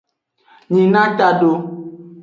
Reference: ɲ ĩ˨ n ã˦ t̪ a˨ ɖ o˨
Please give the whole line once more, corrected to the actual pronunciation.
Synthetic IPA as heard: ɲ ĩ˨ n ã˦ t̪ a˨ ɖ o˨